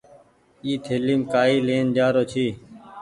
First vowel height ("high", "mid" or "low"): high